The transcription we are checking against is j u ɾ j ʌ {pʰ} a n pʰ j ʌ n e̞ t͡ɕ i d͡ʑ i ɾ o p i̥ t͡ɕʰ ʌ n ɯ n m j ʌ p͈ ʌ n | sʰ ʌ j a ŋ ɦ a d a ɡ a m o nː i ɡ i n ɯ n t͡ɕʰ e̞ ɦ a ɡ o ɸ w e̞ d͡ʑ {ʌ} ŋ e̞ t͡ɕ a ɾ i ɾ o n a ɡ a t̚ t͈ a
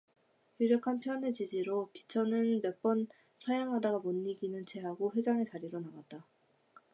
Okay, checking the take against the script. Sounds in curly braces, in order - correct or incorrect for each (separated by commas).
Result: incorrect, incorrect